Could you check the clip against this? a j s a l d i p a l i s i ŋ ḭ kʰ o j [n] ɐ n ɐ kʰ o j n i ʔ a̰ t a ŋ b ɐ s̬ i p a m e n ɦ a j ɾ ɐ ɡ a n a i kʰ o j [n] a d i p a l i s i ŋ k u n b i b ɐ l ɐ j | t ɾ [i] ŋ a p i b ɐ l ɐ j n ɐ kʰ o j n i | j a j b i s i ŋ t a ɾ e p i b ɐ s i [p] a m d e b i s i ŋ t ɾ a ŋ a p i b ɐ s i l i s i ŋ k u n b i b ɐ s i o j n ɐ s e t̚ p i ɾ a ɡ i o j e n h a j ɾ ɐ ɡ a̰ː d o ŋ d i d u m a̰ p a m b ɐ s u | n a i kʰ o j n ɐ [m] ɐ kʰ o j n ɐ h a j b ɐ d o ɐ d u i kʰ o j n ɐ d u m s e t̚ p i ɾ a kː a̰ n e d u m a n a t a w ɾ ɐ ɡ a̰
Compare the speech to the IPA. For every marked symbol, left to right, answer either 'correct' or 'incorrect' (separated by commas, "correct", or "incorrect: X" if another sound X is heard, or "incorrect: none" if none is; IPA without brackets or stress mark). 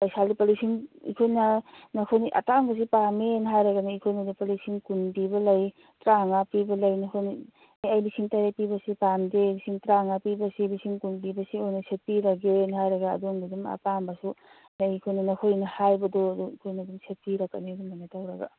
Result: correct, correct, incorrect: a, correct, incorrect: n